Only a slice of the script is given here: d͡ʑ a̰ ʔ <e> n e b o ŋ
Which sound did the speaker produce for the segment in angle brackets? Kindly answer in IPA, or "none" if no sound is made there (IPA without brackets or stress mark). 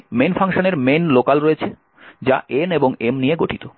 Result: e